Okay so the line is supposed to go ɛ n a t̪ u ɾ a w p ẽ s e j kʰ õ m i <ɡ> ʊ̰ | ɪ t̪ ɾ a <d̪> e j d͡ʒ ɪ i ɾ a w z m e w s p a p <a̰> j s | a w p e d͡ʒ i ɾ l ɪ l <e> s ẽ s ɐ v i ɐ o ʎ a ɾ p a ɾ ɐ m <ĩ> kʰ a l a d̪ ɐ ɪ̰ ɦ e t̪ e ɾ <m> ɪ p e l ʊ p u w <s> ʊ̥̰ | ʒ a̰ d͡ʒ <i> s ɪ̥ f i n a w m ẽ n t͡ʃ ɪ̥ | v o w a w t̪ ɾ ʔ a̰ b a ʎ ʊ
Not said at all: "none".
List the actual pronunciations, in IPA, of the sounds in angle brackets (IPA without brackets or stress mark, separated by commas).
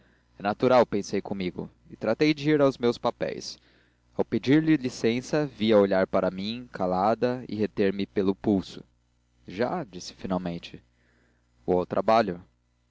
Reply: ɡ, t̪, ɛ̰, i, ĩ, m, s, i